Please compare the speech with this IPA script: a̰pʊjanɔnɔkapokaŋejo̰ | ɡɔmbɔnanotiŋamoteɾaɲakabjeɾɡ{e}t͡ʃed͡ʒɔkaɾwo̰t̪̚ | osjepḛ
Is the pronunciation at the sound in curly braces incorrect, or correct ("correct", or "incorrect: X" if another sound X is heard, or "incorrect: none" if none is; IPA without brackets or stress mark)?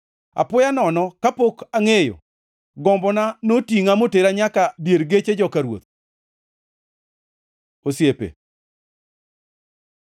correct